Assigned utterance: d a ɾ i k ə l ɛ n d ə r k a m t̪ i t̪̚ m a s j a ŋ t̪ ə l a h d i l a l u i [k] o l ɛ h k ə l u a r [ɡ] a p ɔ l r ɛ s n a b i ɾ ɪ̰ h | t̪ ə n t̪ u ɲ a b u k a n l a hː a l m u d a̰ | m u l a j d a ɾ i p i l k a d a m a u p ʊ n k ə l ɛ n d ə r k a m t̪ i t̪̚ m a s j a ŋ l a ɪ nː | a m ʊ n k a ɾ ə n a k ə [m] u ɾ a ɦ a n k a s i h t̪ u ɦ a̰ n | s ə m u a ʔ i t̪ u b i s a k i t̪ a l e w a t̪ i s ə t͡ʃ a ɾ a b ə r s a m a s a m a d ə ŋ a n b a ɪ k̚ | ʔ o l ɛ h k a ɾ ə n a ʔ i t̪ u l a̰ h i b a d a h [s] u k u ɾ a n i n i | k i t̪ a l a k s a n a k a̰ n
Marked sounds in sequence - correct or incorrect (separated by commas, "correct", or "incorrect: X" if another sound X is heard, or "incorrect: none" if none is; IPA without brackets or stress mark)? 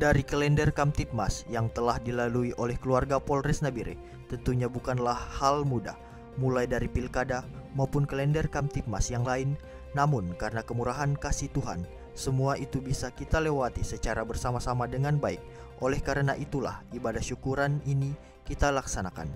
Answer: incorrect: ʔ, correct, correct, incorrect: ʃ